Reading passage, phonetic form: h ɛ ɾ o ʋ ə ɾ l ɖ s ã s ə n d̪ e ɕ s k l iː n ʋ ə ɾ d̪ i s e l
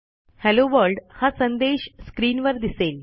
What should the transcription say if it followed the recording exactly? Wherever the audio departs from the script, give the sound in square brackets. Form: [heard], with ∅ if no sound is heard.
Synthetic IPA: h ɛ [l] o ʋ ə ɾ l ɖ [h] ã s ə n d̪ e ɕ s k [ɾ] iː n ʋ ə ɾ d̪ i s e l